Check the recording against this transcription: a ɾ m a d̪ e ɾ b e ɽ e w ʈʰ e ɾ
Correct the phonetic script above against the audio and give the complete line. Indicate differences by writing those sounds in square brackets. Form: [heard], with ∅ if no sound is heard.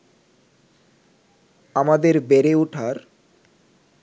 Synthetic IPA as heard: a [∅] m a d̪ e ɾ b e [ɾ] e [u] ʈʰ [a] ɾ